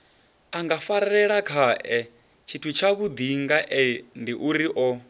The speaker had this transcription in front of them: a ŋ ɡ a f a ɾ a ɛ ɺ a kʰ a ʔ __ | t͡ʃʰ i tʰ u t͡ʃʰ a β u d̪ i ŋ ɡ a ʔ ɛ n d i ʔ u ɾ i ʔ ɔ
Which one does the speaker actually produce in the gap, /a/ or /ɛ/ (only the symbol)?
ɛ